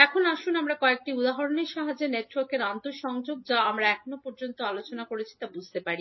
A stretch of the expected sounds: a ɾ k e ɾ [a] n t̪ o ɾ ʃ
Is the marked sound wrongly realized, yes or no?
no